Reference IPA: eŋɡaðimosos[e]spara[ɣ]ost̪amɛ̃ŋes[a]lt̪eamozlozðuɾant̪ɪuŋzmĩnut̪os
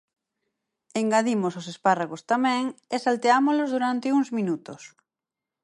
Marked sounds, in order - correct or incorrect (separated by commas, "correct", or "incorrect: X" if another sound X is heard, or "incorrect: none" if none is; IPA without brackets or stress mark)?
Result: correct, correct, correct